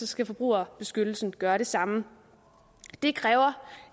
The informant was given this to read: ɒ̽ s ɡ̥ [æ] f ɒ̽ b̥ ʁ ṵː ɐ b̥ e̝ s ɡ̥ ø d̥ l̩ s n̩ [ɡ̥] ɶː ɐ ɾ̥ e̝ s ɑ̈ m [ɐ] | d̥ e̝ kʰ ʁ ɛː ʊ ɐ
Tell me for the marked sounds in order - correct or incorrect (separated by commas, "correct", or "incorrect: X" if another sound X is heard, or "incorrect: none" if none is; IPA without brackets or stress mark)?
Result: correct, correct, incorrect: ə